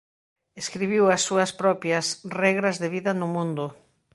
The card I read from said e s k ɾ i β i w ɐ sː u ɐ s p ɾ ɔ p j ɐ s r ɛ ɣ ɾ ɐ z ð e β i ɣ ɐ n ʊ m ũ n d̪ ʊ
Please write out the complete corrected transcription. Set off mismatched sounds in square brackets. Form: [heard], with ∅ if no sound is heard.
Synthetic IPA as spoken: e s k ɾ i β i w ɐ sː u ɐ s p ɾ ɔ p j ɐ s r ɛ ɣ ɾ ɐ z ð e β i [ð] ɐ n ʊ m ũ n d̪ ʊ